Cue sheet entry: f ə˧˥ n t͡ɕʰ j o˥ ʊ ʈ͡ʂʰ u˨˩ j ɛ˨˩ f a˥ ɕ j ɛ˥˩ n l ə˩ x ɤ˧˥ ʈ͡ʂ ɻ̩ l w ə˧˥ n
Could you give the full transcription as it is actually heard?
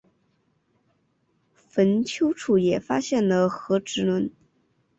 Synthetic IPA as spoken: f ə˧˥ n t͡ɕʰ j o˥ ʊ ʈ͡ʂʰ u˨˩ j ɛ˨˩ f a˥ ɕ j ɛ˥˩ n l ə˩ x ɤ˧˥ ʈ͡ʂ ɻ̩ l w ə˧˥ n